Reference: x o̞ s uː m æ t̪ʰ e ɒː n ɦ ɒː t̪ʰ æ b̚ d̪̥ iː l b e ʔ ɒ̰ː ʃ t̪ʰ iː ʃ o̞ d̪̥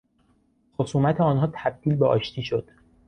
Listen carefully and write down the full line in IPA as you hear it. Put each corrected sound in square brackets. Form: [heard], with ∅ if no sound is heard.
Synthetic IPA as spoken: x o̞ s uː m æ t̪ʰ e ɒː n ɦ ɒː t̪ʰ æ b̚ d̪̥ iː l b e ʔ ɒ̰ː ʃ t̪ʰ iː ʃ o̞ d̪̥